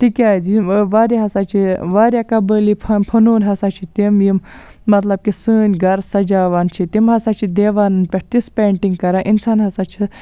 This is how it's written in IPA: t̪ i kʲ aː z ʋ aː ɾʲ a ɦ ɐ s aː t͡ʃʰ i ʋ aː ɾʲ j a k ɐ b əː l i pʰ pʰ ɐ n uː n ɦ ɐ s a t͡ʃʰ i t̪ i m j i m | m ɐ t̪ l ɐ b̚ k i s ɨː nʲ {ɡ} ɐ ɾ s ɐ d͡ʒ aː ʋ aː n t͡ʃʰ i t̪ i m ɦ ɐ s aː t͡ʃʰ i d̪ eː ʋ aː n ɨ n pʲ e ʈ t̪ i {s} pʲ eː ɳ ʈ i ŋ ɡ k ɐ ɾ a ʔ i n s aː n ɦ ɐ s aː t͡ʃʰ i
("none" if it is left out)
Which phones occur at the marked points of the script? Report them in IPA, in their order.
ɡ, s

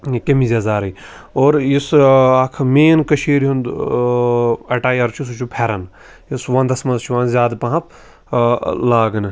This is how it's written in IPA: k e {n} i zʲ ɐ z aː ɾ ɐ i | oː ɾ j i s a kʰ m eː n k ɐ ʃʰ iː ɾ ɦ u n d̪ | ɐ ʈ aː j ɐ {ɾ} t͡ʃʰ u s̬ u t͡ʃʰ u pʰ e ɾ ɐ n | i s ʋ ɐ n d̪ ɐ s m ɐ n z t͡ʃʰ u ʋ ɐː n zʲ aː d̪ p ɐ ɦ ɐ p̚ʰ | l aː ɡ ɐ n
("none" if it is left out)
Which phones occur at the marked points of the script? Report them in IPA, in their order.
m, ɾ

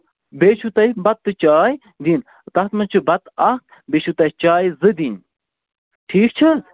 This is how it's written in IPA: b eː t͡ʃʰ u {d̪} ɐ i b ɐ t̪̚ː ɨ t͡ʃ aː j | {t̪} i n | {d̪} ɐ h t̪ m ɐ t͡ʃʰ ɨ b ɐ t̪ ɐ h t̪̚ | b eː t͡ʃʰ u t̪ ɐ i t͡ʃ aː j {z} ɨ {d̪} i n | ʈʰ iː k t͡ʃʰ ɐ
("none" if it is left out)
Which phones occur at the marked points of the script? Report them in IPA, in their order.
t̪, d̪, t̪, z, d̪

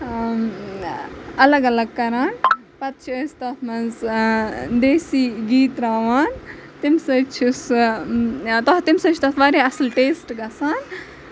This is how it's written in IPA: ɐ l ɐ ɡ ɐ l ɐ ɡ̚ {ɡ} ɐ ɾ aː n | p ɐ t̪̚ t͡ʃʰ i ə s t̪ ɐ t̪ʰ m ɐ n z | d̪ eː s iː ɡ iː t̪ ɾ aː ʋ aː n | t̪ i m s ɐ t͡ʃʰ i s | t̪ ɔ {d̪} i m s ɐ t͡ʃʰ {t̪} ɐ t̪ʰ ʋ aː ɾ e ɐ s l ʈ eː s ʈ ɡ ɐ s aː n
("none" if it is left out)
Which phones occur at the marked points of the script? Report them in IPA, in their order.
k, t̪, t̪

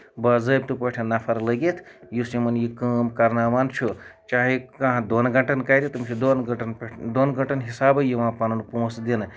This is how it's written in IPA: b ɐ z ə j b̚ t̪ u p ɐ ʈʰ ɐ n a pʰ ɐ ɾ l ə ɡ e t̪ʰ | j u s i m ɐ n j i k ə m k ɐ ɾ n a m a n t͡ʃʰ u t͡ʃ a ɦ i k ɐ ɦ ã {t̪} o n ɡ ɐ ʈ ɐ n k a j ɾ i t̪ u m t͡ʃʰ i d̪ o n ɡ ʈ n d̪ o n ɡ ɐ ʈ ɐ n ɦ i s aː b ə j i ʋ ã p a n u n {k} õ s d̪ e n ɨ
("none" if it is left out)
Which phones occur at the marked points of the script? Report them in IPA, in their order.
d̪, p

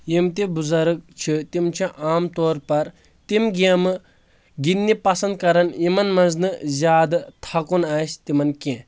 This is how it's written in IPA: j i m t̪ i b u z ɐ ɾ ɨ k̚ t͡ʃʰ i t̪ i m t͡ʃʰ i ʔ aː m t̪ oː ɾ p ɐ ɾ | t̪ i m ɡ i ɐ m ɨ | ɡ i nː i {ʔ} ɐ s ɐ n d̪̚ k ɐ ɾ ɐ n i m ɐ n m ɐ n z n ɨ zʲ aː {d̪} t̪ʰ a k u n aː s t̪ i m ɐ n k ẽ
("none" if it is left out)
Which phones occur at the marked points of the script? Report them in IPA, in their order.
p, d̪

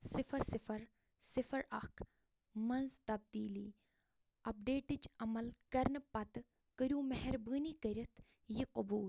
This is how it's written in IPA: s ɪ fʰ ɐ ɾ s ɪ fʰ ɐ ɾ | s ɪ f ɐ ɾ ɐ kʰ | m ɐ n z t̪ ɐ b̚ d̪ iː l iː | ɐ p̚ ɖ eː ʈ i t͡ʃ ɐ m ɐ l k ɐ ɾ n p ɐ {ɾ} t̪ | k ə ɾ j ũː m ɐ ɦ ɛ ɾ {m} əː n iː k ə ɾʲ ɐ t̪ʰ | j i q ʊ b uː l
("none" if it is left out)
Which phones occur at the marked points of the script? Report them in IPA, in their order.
none, b

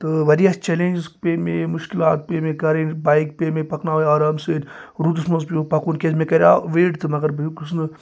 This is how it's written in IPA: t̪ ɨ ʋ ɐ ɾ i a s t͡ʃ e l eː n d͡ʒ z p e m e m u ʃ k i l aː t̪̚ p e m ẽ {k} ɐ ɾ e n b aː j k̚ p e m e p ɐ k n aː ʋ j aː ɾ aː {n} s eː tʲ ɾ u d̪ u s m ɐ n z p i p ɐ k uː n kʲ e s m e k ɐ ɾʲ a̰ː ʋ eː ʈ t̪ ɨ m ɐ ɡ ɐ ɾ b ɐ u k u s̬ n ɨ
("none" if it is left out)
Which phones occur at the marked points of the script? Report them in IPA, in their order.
k, m

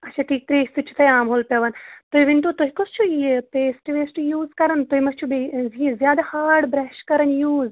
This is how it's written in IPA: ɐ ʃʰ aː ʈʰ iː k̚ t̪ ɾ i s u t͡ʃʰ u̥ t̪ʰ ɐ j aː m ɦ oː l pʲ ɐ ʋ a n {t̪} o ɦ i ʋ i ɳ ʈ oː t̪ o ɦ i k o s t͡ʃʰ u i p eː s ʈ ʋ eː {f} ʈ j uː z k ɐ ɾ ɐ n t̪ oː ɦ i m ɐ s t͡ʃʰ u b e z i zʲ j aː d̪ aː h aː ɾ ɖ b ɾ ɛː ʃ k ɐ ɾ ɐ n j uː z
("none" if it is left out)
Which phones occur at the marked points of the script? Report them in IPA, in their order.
t̪, s

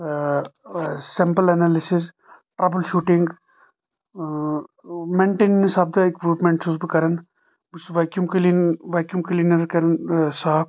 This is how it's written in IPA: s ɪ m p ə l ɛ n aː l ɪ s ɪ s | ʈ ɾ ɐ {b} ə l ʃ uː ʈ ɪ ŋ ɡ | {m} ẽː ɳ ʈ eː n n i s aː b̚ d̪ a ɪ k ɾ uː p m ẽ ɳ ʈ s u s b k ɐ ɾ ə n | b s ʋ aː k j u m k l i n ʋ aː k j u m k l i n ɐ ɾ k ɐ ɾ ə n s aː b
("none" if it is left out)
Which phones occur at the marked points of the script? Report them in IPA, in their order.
b, m

